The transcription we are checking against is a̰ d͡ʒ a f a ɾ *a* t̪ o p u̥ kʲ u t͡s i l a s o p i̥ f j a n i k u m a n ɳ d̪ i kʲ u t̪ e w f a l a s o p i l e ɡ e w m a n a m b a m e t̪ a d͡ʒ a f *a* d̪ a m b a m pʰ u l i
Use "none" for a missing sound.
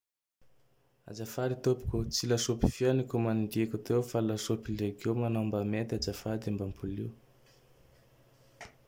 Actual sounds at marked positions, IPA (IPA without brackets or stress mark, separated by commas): i, a